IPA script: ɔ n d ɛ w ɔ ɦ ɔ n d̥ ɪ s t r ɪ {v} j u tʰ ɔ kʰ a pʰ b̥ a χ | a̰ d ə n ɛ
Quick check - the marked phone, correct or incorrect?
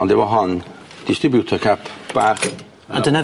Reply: incorrect